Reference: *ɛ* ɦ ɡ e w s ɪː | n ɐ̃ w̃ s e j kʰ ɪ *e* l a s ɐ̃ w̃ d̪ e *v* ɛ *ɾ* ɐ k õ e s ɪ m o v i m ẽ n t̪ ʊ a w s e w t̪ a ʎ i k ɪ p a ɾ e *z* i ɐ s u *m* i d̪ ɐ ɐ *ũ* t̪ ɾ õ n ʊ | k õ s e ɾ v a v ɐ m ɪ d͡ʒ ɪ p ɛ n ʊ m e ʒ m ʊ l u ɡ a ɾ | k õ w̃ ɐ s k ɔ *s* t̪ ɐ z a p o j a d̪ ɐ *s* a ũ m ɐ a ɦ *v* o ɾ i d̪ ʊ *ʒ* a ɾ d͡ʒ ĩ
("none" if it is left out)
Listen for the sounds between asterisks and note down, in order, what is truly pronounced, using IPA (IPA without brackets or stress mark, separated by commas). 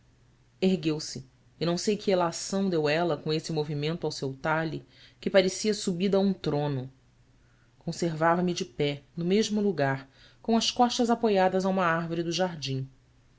e, e, w, l, s, b, ũ, ʃ, z, v, ʒ